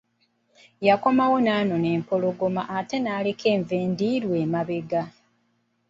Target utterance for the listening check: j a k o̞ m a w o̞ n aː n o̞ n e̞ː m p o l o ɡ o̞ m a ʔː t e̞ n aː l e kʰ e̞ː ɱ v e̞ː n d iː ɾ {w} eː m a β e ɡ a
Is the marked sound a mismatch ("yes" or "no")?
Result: no